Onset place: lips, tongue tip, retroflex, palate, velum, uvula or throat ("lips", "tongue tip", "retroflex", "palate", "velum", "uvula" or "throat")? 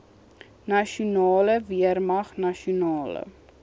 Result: tongue tip